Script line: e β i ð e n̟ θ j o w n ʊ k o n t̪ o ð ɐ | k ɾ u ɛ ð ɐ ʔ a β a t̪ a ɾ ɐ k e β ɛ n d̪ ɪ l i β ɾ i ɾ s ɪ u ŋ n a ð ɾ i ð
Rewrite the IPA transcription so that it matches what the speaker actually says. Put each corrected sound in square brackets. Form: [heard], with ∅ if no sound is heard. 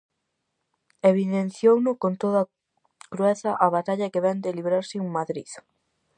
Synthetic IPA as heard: e β i ð e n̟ θ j o w n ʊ k o n t̪ o ð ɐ | k ɾ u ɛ [θ] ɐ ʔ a β a t̪ a [ʎ] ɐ k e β ɛ n d̪ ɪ l i β ɾ [a] ɾ s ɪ u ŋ [m] a ð ɾ i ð